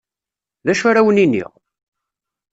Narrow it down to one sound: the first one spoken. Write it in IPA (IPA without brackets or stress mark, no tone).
ð